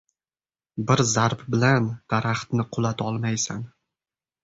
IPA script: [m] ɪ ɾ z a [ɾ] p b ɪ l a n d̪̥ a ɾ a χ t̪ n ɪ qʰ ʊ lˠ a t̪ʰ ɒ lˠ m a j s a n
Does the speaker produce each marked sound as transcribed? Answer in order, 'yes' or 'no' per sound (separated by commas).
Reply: no, yes